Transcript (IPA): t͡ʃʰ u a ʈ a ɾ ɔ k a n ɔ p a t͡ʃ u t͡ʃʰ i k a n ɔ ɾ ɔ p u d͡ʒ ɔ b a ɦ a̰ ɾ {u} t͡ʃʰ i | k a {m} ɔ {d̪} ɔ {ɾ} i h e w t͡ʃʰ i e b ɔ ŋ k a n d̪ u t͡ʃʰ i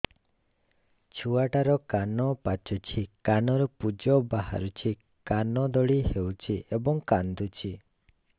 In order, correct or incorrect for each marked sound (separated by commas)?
correct, incorrect, correct, incorrect